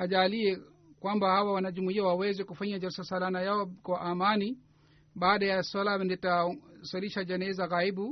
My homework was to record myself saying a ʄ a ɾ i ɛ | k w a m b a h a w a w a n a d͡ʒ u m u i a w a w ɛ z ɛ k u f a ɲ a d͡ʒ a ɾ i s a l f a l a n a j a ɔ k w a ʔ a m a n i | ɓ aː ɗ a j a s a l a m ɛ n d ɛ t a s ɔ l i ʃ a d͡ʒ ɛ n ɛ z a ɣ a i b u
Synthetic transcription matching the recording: a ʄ a l i ɛ | k w a m b a h a w a w a n a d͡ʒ u m u i a w a w ɛ z ɛ k u f a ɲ a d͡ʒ a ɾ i s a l s a l a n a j a ɔ k w a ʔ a m a n i | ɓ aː ɗ a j a s a l a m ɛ n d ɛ t a s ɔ l i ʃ a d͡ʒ ɛ n ɛ z a ɣ a i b u